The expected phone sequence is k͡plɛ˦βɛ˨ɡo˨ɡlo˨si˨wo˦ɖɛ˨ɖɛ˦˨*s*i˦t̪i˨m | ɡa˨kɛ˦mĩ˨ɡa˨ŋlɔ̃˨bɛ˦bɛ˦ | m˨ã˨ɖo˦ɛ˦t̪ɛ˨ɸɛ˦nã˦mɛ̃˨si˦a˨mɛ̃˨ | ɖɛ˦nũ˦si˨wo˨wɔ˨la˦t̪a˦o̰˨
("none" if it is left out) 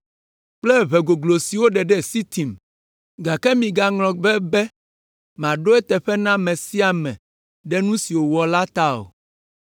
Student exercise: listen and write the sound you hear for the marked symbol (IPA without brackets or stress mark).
s